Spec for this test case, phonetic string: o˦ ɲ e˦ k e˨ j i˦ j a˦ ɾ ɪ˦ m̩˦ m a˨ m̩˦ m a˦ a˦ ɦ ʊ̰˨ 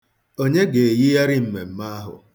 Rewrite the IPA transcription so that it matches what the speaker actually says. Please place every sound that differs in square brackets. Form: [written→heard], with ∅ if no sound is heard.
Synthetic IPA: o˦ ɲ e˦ [k→ɡ] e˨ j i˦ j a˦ ɾ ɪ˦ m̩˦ m [a˨→e˨] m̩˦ m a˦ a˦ ɦ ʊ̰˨